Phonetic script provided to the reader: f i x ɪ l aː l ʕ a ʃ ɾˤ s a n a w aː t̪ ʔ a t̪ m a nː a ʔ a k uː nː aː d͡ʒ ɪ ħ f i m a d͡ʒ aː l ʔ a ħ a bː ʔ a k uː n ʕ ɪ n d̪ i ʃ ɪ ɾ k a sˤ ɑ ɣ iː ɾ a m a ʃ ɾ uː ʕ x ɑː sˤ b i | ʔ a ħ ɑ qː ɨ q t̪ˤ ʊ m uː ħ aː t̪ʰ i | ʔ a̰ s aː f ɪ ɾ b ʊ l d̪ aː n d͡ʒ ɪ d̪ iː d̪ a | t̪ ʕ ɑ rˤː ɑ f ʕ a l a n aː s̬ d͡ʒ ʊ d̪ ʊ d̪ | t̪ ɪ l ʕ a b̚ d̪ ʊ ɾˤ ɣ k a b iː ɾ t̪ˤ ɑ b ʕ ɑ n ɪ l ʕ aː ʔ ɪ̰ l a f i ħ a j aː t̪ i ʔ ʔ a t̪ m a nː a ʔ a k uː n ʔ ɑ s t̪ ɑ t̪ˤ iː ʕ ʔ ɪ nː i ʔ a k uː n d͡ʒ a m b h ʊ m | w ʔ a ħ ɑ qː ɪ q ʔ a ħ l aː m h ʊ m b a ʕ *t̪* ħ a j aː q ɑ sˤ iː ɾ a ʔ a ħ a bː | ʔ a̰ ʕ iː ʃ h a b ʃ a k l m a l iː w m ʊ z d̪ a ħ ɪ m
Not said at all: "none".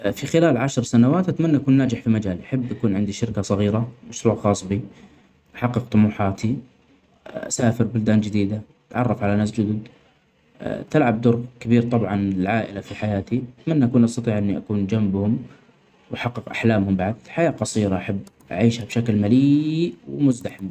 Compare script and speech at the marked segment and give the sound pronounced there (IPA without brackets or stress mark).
d̪